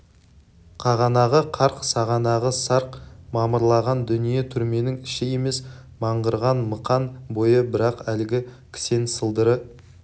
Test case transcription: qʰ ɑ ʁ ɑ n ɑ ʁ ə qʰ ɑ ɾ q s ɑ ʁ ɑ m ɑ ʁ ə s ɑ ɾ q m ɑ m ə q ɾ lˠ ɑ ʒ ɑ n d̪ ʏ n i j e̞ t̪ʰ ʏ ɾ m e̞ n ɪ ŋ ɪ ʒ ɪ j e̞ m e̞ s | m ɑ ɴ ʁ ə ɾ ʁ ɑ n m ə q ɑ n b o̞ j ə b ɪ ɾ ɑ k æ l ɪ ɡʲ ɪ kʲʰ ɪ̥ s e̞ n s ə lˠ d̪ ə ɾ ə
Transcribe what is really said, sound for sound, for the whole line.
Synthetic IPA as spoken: qʰ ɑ ʁ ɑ n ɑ ʁ ə qʰ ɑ ɾ q s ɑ ʁ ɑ n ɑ ʁ ə s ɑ ɾ q m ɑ m ə ɾ lˠ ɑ ʁ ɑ n d̪ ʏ n i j e̞ t̪ʰ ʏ ɾ m e̞ n ɪ ŋ ɪ ʃ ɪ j e̞ m e̞ s | m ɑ ɴ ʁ ə ɾ ʁ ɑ n m ə q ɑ n b o̞ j ə b ɪ ɾ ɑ q æ l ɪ ɡʲ ɪ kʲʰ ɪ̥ s e̞ n s ə lˠ d̪ ə ɾ ə